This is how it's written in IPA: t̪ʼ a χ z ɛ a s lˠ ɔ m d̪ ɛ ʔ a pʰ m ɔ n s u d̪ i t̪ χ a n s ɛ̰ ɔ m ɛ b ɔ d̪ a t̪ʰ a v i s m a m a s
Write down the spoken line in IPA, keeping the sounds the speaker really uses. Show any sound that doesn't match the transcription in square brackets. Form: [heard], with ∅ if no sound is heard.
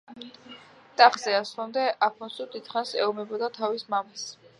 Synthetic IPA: t̪ʼ a χ z ɛ a s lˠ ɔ m d̪ ɛ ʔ a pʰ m ɔ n s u d̪ i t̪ χ a n s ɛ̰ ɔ m ɛ b ɔ d̪ a t̪ʰ a v i s m a m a s